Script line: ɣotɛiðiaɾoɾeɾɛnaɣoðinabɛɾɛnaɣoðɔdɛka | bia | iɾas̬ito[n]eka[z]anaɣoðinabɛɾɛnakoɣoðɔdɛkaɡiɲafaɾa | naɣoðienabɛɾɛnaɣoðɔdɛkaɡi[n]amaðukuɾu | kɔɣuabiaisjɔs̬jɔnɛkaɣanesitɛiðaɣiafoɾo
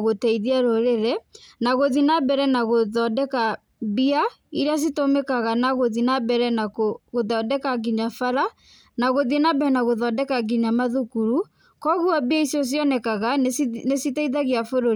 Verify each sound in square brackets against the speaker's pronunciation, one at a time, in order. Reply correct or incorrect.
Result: incorrect, incorrect, incorrect

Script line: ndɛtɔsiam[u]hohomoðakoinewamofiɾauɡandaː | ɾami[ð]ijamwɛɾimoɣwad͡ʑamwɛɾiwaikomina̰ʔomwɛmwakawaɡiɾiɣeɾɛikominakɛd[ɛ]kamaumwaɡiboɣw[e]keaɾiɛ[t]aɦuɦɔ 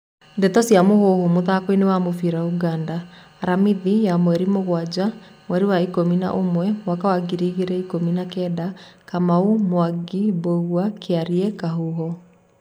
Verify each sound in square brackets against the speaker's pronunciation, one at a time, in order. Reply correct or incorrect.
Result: incorrect, correct, incorrect, incorrect, incorrect

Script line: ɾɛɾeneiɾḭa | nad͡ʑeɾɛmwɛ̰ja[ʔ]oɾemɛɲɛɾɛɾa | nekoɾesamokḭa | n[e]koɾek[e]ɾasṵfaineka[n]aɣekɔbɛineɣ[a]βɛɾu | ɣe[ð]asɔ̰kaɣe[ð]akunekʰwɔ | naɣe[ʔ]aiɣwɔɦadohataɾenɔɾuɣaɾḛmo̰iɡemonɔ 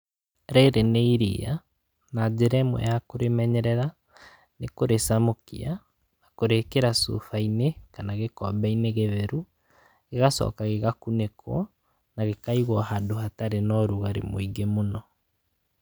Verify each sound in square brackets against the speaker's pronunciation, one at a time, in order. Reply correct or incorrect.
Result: incorrect, incorrect, correct, correct, incorrect, incorrect, incorrect, incorrect

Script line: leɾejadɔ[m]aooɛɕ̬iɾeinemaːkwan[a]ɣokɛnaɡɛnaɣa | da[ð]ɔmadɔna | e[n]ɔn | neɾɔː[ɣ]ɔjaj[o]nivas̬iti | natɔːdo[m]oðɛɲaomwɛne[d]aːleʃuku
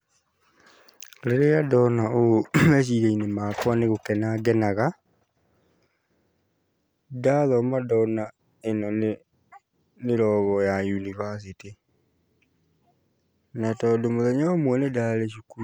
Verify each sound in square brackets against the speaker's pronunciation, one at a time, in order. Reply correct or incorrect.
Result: incorrect, incorrect, correct, correct, correct, incorrect, correct, correct

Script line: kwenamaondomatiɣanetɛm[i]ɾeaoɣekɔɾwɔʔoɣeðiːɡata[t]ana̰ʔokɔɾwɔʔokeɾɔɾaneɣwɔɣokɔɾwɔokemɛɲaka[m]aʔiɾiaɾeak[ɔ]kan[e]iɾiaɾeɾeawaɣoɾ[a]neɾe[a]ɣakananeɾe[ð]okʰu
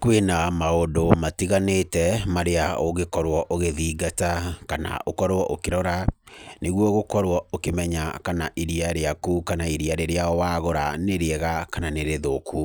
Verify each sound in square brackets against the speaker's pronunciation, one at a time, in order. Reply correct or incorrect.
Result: incorrect, incorrect, incorrect, incorrect, incorrect, correct, incorrect, correct

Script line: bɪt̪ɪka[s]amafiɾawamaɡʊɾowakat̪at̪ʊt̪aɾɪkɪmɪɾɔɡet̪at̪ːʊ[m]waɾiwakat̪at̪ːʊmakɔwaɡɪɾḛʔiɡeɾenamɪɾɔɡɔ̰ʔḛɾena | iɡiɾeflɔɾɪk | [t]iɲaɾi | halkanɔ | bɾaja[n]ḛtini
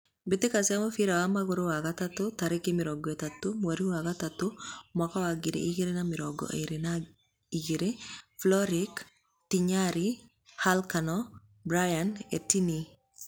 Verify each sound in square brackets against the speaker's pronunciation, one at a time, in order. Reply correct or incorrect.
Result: correct, correct, correct, correct

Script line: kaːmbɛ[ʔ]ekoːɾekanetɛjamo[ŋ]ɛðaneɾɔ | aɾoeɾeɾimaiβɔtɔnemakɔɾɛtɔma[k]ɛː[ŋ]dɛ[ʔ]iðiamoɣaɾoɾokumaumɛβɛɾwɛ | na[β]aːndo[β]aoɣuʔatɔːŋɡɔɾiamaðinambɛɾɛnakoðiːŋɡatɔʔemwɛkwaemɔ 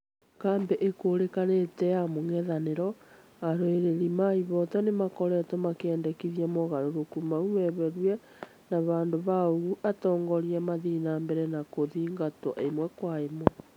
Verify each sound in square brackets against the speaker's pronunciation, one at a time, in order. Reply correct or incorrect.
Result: correct, correct, correct, incorrect, incorrect, correct, correct

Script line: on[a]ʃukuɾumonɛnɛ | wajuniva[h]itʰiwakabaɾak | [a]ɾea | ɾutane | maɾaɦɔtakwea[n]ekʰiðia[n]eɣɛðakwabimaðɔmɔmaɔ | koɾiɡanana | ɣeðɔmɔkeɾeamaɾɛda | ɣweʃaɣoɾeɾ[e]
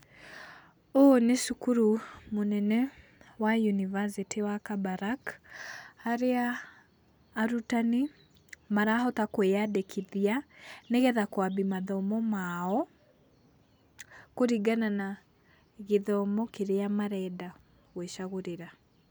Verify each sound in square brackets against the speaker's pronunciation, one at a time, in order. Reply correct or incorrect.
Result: incorrect, incorrect, correct, incorrect, correct, incorrect

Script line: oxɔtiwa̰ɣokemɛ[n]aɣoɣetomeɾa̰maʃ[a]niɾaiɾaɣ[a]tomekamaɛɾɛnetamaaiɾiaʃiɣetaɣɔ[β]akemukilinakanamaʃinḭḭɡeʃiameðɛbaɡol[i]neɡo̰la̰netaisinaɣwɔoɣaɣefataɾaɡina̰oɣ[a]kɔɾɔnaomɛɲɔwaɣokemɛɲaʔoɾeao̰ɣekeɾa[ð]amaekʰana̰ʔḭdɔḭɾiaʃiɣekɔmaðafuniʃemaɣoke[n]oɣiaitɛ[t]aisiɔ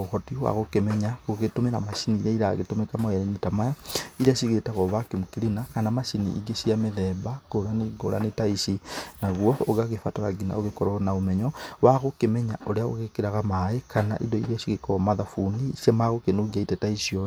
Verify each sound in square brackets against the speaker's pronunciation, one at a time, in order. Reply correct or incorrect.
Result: incorrect, incorrect, incorrect, correct, incorrect, incorrect, incorrect, correct, correct

